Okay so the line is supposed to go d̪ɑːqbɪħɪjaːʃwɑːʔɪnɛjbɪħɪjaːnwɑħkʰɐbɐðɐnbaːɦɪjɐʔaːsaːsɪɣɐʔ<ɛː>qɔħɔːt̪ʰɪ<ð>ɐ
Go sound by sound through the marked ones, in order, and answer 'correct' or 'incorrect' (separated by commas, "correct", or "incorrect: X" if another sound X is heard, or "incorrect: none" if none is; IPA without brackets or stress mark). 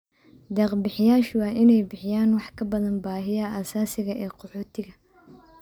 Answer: correct, incorrect: ɣ